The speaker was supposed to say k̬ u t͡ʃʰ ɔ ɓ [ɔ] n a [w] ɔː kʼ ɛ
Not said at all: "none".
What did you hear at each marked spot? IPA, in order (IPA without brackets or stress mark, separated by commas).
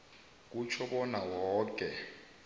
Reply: ɔ, w